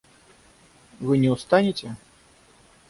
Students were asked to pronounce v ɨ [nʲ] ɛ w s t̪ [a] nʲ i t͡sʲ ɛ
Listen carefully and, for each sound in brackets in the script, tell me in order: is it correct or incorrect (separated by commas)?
correct, correct